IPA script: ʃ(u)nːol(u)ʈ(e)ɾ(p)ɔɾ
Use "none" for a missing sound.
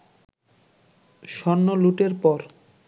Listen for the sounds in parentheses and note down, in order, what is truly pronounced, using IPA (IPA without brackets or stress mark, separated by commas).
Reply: ɔ, u, e, p